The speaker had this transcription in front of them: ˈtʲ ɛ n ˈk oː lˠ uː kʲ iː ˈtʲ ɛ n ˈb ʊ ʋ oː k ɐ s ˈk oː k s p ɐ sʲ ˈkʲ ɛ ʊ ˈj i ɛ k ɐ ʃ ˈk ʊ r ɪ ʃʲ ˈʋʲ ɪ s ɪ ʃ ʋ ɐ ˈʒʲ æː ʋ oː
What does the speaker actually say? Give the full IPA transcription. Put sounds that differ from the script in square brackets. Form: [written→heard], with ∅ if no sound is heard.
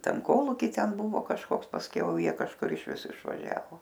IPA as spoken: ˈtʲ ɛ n ˈk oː lˠ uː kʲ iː ˈtʲ ɛ n ˈb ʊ ʋ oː k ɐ [s→ʃ] ˈk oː k s p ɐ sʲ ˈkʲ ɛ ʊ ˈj i ɛ k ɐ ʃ ˈk ʊ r ɪ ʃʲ ˈʋʲ ɪ s ɪ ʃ ʋ ɐ ˈʒʲ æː ʋ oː